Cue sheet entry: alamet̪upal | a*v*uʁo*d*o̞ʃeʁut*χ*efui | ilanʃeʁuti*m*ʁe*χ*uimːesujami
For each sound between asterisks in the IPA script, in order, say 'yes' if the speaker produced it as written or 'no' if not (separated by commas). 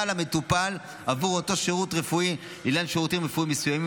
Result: yes, no, no, yes, no